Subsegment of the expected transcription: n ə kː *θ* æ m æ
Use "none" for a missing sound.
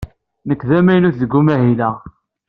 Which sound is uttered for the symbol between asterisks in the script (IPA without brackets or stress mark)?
ð